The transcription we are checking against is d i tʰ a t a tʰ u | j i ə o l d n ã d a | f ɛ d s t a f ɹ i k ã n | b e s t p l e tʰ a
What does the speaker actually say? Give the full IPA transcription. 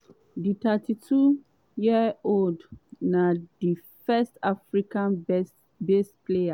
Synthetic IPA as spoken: d i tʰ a t i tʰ u | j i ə o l d n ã d i | f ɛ s t a f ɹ i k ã n | b e s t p l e a

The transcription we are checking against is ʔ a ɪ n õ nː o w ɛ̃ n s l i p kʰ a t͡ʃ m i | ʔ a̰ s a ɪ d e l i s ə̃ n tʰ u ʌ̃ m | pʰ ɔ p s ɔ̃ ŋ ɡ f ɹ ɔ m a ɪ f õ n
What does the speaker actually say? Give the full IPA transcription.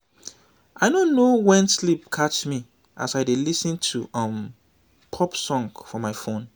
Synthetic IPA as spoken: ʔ a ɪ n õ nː o w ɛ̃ n s l i p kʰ a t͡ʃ m i | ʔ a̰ s a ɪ d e l i s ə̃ n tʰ u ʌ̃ m | pʰ ɔ p s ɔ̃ ŋ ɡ f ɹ ɔ m a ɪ f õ n

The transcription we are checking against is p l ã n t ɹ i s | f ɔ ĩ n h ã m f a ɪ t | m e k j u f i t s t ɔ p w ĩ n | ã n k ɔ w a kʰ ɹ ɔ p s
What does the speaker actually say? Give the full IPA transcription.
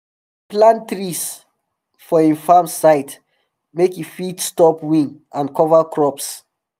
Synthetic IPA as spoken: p l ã n t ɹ i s | f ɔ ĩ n f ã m s a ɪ t | m e k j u f i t s t ɔ p w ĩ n | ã n k ɔ v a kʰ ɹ ɔ p s

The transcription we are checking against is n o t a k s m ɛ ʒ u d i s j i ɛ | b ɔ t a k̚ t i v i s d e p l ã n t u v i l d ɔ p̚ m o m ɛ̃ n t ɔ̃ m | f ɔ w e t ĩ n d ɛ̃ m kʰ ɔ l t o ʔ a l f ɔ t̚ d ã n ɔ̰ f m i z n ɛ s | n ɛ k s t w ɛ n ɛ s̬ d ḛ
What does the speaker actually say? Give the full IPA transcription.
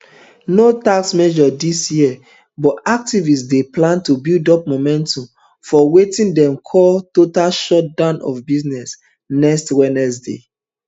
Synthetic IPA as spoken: n o t a k s m ɛ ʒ ɔ d i s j i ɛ | b ɔ t a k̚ t i v i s d e p l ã n t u b i l d ɔ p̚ m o m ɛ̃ n t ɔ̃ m | f ɔ w e t ĩ n d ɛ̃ m kʰ ɔ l t o t a l ʃ ɔ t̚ d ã n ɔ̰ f b i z n ɛ s | n ɛ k s t w ɛ n ɛ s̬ d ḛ

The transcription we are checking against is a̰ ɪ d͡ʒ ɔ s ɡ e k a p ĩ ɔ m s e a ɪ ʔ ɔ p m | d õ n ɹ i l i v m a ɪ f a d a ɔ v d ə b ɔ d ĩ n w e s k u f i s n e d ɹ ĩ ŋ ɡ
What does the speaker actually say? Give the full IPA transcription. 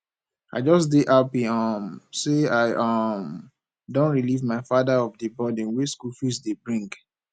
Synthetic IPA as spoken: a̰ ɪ d͡ʒ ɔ s d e ʔ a p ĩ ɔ m s e a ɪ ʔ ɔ m | d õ n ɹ i l i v m a ɪ f a d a ɔ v d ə b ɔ d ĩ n w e s k u f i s d e b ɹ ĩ ŋ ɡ

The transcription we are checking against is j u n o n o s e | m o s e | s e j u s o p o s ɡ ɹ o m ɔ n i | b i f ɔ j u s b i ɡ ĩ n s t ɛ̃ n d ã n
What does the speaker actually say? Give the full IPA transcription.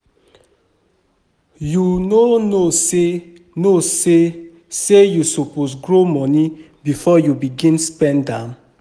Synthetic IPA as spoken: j u n o n o s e | n o s e | s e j u s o p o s ɡ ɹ o m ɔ n i | b i f ɔ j u b i ɡ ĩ n s p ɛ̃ n d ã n

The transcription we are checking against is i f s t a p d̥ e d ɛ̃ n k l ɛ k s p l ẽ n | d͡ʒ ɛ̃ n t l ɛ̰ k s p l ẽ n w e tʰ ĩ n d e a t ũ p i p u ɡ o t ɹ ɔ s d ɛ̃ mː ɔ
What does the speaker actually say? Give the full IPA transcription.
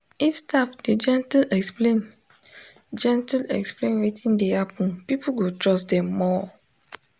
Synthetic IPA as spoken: i f s t a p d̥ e d͡ʒ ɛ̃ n t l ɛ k s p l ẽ n | d͡ʒ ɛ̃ n t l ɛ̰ k s p l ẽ n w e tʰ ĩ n d e a p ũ p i p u ɡ o t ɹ ɔ s d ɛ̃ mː ɔ

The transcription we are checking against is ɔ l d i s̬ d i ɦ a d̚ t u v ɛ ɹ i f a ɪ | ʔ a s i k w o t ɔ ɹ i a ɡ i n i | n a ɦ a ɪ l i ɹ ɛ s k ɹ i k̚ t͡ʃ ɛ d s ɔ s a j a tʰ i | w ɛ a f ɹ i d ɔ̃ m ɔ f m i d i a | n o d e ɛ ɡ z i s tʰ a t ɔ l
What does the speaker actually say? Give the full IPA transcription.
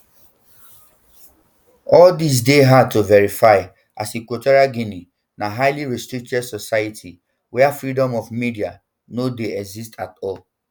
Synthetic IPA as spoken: ɔ l d i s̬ d e ɦ a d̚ t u v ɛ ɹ i f a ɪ | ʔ a s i k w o t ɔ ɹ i a ɡ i n i | n a ɦ a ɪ l i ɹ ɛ s t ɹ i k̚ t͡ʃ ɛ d s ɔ s a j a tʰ i | w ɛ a f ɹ i d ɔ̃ m ɔ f m i d i a | n o d e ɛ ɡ z i s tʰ a t ɔ l

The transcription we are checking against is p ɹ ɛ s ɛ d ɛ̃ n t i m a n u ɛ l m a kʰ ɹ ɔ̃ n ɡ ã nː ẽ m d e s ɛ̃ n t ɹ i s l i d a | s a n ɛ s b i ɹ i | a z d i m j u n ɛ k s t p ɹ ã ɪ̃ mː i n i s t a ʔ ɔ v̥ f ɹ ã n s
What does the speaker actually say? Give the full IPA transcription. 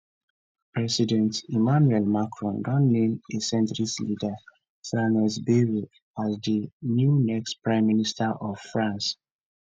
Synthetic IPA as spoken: p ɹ ɛ s i d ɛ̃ n t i m a n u ɛ l m a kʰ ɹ ɔ̃ n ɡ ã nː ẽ m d e s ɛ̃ n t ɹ i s l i d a | s a n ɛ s b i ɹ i | a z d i n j u n ɛ k s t p ɹ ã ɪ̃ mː i n i s t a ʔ ɔ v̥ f ɹ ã n s

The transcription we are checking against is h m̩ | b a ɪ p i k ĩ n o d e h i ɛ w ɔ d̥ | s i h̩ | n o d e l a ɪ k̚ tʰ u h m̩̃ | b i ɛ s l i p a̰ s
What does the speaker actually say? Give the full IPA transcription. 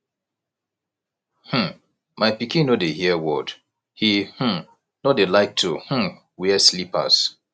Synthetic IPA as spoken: h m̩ | m a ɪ p i k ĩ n o d e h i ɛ w ɔ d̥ | h i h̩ | n o d e l a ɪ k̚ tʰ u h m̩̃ | w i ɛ s l i p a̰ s

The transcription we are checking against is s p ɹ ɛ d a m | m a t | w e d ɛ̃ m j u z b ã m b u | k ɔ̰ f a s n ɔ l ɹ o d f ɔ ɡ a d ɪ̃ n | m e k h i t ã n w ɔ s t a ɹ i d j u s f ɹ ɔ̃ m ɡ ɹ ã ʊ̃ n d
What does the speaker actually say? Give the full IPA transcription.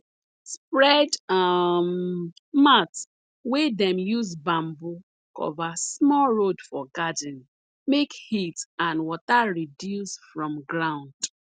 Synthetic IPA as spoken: s p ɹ ɛ d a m | m a t | w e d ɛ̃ m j u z b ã m b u | k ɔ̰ v a s m ɔ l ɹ o d f ɔ ɡ a d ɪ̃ n | m e k h i t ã n w ɔ t a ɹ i d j u s f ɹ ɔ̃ m ɡ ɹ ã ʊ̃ n d

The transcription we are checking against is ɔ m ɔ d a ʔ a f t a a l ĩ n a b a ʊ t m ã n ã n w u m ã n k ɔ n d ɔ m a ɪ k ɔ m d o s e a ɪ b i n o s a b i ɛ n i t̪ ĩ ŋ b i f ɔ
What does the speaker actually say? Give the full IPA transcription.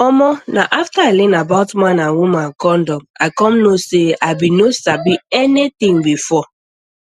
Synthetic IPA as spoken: ɔ m ɔ n a ʔ a f t a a l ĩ n a b a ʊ t m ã n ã n w u m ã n k ɔ n d ɔ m a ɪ k ɔ m n o s e a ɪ b i n o s a b i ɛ n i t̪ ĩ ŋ b i f ɔ

